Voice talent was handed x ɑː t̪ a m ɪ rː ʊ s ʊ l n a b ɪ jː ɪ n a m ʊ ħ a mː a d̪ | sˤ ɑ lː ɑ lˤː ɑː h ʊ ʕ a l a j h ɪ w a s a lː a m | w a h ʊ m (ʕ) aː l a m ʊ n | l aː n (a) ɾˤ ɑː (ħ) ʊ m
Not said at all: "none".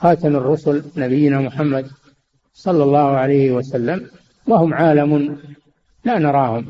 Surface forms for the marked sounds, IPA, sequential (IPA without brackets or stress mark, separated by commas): ʕ, ɑ, h